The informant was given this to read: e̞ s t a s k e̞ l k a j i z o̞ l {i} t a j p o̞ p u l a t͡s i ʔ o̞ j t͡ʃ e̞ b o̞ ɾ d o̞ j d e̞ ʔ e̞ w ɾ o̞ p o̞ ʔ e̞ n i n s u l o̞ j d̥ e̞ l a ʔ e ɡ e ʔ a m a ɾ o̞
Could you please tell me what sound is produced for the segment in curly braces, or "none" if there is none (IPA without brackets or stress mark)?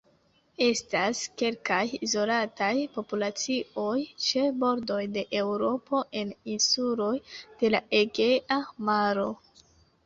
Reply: a